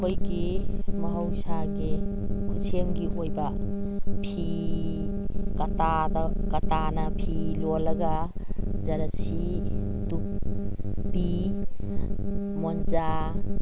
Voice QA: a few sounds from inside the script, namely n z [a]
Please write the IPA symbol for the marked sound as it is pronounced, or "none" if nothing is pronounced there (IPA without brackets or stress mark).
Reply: a